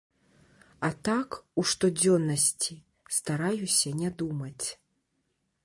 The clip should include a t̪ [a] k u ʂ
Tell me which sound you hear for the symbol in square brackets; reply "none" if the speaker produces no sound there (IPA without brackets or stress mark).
a